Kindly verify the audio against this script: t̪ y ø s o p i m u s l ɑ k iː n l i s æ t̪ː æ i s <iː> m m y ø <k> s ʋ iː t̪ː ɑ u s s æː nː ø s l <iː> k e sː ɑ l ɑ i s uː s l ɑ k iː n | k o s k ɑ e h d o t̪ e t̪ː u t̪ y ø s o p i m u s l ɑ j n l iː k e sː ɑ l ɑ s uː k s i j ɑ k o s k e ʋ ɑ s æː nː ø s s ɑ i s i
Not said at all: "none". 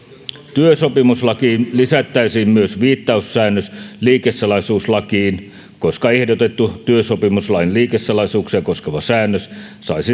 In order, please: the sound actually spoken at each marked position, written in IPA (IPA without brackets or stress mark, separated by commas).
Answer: iː, none, iː